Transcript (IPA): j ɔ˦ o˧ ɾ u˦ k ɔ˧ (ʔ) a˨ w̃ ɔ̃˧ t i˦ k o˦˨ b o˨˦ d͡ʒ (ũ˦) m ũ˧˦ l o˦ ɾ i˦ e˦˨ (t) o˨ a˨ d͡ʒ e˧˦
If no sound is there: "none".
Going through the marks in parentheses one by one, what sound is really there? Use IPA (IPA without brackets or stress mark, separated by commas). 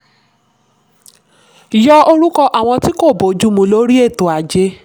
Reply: ʔ, u˦, t